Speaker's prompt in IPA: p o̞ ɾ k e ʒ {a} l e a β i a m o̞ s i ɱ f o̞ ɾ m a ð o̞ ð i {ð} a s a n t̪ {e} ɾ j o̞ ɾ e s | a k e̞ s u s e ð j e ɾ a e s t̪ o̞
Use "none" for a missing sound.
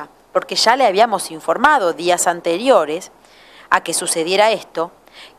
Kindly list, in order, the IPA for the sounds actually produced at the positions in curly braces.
a, none, e

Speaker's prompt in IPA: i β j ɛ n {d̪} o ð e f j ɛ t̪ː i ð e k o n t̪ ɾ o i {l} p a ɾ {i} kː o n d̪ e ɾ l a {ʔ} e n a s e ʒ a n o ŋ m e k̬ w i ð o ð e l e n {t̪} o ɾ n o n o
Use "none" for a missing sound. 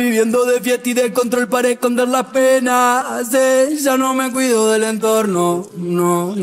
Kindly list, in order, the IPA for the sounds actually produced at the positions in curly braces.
d̪, l, e, p, t̪

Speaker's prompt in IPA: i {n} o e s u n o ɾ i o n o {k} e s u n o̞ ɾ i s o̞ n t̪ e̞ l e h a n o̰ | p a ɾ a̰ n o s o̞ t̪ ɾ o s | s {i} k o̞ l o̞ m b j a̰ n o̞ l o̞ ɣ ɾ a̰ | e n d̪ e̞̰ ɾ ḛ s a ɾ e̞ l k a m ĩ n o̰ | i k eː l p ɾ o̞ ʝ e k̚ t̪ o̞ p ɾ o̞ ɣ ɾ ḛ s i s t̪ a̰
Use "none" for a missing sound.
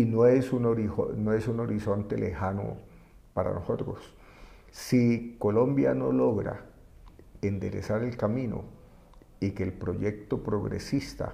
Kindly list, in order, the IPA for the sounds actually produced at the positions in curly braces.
n, none, i

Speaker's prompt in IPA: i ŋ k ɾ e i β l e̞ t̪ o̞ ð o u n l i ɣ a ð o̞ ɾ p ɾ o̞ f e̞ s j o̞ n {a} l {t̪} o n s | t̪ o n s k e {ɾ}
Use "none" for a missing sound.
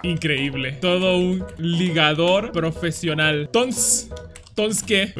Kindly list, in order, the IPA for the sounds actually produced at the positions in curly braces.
a, t̪, none

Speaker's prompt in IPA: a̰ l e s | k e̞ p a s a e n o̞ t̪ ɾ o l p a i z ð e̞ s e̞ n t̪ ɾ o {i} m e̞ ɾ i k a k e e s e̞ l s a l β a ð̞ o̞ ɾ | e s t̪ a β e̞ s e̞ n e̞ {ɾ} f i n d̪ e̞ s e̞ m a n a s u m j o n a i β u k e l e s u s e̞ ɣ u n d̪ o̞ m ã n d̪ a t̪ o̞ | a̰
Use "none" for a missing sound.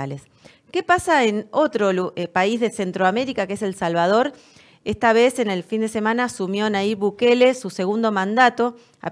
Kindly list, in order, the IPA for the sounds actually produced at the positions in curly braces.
a, l

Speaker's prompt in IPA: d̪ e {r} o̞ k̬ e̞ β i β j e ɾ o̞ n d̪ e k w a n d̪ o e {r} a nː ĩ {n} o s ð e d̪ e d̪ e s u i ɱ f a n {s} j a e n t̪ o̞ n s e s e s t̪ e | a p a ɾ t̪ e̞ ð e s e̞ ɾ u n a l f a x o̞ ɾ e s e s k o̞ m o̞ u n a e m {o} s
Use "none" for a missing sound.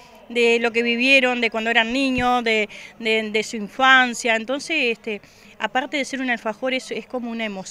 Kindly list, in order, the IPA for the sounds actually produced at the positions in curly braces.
l, ɾ, ɲ, s, o

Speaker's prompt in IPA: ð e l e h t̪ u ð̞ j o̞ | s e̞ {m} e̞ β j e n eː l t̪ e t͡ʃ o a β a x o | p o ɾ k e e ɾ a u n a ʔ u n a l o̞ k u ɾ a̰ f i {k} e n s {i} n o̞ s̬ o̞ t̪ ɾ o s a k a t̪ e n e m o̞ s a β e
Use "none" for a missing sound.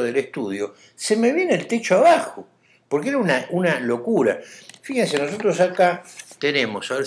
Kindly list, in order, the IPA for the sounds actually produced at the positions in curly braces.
m, x, e

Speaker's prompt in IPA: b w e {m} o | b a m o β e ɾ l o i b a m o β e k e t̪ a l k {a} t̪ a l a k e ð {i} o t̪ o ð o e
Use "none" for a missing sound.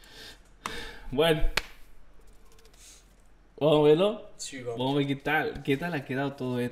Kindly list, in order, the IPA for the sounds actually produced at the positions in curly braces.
n, e, a

